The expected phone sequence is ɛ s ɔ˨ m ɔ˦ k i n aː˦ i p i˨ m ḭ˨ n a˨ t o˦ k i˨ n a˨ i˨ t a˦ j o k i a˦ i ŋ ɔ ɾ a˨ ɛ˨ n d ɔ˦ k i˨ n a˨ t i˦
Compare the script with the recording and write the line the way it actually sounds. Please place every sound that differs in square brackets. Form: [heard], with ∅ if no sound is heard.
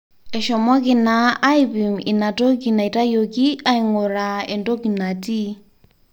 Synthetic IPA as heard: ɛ [ʃ] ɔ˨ m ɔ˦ k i n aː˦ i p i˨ m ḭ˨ n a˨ t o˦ k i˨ n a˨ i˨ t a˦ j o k i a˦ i ŋ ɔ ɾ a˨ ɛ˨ n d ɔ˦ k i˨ n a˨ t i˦

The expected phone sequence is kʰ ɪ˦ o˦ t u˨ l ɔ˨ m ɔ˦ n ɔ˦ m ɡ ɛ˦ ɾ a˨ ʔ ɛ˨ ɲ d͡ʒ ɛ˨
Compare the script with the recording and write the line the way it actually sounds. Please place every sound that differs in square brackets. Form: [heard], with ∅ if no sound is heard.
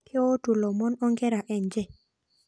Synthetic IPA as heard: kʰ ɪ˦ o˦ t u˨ l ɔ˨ m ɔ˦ n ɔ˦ [ŋ] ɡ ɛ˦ ɾ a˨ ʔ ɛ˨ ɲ d͡ʒ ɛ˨

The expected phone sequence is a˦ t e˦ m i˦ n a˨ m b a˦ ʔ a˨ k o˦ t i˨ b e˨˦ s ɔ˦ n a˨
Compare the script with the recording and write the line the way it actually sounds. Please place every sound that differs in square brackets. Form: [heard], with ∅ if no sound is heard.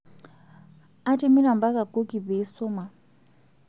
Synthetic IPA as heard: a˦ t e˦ m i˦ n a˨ m b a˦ [k] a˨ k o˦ [k] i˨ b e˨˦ s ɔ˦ [m] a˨

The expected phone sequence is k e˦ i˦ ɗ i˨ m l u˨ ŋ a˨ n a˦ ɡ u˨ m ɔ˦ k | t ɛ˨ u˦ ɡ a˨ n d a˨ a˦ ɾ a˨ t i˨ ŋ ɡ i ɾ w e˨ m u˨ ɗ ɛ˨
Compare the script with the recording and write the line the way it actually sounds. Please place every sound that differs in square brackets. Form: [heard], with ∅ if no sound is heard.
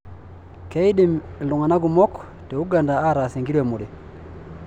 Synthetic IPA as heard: k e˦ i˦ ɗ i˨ m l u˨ ŋ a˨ n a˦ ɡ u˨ m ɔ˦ k | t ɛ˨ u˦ ɡ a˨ n d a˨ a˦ ɾ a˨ [s] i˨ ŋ ɡ i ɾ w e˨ m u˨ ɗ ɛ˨

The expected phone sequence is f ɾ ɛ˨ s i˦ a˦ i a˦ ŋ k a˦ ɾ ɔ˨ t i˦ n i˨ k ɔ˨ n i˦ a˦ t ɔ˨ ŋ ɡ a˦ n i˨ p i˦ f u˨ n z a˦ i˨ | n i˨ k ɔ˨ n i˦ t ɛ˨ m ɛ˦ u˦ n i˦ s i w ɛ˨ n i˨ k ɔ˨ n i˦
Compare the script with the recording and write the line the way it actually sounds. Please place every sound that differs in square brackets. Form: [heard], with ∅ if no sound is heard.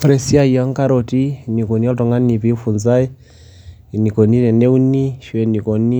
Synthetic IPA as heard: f ɾ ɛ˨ s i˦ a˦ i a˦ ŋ k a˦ ɾ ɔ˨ t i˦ n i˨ k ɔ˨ n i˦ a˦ t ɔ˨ ŋ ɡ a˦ n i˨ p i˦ f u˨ n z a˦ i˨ | n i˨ k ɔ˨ n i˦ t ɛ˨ [n] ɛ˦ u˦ n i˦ [ʃ] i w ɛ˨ n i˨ k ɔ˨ n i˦

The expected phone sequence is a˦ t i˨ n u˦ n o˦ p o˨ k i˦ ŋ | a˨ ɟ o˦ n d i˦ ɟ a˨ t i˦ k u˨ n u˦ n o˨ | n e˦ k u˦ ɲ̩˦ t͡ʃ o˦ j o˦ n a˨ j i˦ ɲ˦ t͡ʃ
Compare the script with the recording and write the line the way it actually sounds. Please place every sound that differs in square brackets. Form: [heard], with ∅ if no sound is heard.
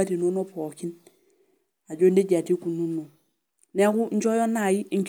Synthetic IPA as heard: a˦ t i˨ n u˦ n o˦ p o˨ k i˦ [n] | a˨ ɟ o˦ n d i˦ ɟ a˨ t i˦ k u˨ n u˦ n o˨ | n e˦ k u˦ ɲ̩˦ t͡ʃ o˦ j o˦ n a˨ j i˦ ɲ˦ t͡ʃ

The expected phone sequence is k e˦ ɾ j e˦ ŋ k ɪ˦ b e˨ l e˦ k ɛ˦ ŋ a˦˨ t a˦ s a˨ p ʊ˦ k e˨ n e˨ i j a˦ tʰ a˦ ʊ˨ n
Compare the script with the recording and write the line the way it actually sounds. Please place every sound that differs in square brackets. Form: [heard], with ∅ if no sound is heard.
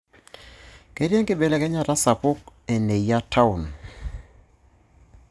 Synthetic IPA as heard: k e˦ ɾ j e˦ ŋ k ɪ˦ b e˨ l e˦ k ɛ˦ [ɲ] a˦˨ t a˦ s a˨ p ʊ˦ k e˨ n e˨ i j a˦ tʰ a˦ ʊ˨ n

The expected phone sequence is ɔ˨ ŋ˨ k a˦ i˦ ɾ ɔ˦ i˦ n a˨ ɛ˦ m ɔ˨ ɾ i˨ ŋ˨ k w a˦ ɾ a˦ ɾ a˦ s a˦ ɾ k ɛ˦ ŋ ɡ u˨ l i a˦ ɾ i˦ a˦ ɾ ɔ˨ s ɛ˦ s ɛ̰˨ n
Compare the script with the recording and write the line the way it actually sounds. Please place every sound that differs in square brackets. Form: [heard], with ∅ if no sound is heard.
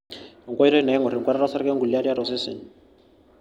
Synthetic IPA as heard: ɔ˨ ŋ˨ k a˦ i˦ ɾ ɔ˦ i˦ n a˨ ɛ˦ [ŋ] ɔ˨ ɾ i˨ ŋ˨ k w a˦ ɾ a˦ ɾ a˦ s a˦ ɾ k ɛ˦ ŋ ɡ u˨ l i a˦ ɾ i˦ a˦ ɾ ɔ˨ s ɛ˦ s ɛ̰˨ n

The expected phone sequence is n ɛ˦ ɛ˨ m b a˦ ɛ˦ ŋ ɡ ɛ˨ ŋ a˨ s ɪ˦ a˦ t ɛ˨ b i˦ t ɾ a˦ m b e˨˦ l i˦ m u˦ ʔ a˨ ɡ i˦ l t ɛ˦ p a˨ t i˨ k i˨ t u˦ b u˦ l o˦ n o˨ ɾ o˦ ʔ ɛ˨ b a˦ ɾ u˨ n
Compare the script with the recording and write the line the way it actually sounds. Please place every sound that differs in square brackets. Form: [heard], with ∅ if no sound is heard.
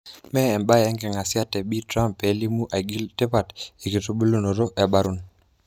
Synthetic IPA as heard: [m] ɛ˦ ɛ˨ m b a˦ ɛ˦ ŋ ɡ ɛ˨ ŋ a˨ s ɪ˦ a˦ t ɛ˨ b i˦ t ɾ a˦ m [p] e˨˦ l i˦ m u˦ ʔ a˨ ɡ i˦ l t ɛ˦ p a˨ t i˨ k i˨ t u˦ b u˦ l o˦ n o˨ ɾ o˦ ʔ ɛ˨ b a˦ ɾ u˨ n

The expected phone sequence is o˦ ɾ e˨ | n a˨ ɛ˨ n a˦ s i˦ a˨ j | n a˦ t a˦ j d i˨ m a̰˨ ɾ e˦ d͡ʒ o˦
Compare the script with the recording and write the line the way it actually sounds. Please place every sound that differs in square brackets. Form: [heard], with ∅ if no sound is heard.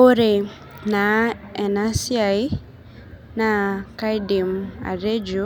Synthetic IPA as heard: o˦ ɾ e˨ | n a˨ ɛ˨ n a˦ s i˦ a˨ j | n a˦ [k] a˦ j d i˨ m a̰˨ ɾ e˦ d͡ʒ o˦

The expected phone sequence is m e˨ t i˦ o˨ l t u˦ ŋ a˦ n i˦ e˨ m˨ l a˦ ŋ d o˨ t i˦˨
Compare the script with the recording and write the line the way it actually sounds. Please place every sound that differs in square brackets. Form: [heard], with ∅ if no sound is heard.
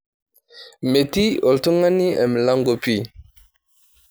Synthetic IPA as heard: m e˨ t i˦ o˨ l t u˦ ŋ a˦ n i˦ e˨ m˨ l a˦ ŋ [ɡ] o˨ [p] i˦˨

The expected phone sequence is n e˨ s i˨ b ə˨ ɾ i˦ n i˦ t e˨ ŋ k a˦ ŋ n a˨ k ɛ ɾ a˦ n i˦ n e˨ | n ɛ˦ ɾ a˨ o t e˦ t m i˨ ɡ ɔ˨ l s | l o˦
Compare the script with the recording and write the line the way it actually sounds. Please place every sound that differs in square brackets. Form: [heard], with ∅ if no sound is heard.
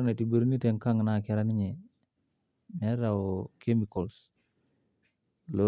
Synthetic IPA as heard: n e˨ [t] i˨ b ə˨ ɾ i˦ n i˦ t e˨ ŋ k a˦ ŋ n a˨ k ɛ ɾ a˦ n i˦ [ɲ] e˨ | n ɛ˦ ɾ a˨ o [k] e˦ [∅] m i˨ [k] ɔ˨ l s | l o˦

